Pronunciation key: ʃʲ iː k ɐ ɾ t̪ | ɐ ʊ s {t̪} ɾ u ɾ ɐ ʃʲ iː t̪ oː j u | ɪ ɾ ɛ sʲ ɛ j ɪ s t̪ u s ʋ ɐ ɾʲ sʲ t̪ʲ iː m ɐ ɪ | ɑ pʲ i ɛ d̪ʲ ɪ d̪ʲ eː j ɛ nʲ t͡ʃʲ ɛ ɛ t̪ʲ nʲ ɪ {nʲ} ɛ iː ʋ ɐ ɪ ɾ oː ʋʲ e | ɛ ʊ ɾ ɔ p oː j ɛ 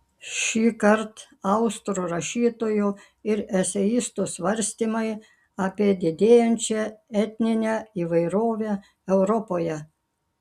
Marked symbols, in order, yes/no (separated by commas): yes, yes